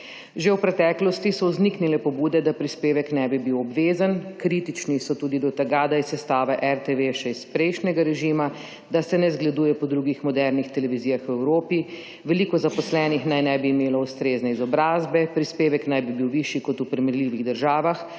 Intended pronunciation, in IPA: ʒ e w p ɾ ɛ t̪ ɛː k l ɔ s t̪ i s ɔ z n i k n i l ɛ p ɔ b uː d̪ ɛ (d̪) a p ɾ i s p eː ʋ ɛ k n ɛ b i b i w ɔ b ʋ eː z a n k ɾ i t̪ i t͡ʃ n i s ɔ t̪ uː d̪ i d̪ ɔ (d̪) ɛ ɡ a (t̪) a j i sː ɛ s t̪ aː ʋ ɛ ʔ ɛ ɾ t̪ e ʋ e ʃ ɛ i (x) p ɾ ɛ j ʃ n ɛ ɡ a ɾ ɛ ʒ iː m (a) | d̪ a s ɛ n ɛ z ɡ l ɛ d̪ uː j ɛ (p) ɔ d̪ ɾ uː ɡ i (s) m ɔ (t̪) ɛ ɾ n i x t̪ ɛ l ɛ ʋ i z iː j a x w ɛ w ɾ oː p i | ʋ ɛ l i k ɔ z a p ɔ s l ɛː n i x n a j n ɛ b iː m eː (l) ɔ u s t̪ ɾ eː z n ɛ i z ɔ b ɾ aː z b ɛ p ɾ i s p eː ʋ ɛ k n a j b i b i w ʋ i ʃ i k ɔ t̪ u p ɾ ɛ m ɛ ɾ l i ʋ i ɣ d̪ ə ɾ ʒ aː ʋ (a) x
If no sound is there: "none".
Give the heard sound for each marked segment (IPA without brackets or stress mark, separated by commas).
d̪, t̪, d̪, s, a, p, x, d̪, l, a